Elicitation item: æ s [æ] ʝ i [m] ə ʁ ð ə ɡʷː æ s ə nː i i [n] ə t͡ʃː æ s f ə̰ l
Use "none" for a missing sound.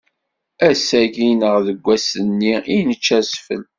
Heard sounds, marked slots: æ, n, n

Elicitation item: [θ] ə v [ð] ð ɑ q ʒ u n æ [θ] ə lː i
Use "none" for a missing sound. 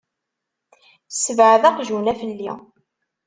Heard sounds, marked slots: s, ʕ, f

